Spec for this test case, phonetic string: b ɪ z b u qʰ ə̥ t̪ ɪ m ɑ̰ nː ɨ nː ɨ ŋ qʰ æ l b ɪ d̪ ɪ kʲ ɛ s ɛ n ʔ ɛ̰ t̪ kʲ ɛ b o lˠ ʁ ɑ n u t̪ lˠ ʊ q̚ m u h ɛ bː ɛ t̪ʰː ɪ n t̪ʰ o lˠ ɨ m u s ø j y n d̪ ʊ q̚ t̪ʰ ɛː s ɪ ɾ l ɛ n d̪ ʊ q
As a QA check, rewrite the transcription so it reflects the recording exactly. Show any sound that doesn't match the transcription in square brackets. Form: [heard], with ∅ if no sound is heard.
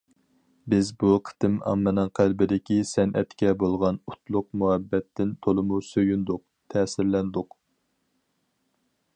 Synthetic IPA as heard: b ɪ z b u qʰ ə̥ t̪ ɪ m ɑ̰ [mː] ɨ [n] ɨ ŋ qʰ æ l b ɪ d̪ ɪ kʲ [i] s ɛ n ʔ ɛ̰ t̪ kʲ ɛ b o lˠ ʁ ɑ n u t̪ lˠ ʊ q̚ m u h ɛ bː ɛ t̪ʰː ɪ n t̪ʰ o lˠ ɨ m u s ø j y n d̪ ʊ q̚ t̪ʰ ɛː s ɪ ɾ l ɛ n d̪ ʊ q